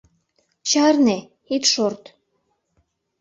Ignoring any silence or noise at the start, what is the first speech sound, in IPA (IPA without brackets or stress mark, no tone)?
t͡ɕ